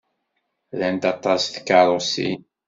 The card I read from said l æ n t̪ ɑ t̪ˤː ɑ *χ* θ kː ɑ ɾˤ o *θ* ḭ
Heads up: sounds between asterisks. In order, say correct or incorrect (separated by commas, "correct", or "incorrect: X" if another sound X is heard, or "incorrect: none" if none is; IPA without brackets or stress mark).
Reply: incorrect: s, incorrect: s